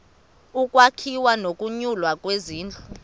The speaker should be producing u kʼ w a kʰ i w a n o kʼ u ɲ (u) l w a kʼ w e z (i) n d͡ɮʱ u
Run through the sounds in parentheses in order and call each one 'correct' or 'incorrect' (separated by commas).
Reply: correct, incorrect